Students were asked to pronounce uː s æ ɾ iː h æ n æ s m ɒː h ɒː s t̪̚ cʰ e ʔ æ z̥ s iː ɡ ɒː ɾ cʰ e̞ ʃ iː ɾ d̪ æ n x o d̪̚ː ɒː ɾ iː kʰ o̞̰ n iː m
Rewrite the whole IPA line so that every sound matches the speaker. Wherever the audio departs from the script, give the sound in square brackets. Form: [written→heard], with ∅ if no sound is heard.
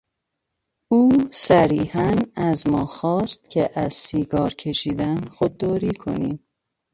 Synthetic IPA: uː s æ ɾ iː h æ n æ [s→z] m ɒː [h→x] ɒː s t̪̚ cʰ e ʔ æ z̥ s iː ɡ ɒː ɾ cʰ e̞ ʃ iː [ɾ→∅] d̪ æ n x o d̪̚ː ɒː ɾ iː kʰ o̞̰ n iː m